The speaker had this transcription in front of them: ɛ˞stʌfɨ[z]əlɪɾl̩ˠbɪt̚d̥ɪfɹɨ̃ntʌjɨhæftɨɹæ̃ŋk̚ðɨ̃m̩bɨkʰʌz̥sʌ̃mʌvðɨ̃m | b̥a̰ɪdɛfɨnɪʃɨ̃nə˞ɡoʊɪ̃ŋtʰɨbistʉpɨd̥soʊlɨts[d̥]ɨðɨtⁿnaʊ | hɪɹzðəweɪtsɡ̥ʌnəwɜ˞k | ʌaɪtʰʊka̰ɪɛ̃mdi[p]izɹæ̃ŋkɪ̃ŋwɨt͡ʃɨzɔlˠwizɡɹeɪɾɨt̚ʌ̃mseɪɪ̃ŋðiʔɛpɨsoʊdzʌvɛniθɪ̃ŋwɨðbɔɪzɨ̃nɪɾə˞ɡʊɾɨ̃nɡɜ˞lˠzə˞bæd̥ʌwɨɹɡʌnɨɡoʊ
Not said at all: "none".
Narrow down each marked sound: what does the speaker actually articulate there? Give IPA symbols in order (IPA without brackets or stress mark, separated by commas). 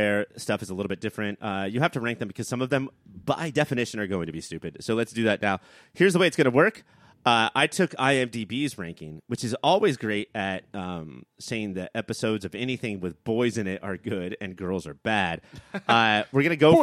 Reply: z, d̥, b